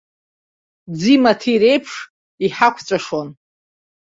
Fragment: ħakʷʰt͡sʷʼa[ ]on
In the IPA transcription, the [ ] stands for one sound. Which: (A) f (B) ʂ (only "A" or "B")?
B